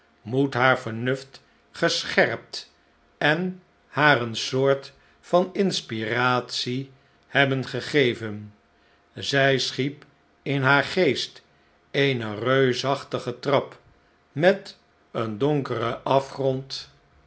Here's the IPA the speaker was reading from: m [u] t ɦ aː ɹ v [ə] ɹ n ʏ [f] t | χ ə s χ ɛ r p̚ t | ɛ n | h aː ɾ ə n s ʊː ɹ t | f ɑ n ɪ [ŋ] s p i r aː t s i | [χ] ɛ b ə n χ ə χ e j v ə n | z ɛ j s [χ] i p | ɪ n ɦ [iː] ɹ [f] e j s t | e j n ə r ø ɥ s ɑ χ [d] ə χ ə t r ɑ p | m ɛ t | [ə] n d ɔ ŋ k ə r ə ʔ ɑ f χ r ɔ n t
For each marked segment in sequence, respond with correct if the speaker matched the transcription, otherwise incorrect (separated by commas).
correct, correct, correct, incorrect, incorrect, correct, incorrect, incorrect, incorrect, correct